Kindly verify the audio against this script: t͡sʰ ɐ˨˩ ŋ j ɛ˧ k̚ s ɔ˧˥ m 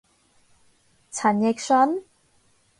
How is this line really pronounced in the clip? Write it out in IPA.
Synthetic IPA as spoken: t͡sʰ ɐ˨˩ n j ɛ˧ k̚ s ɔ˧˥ n